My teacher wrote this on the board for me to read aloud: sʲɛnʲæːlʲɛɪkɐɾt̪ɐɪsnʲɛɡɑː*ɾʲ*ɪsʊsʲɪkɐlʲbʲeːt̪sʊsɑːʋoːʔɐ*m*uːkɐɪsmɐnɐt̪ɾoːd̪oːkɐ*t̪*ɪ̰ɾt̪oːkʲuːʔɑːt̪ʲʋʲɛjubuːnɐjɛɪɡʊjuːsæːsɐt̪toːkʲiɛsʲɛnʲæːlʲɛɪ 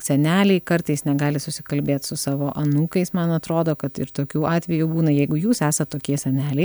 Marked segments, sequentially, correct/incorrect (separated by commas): incorrect, incorrect, correct